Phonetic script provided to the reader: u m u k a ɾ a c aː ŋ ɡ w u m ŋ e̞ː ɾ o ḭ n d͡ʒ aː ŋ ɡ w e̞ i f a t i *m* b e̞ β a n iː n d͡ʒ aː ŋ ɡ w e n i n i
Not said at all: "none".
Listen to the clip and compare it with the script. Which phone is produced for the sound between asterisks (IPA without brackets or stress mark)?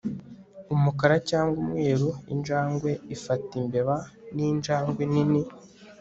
m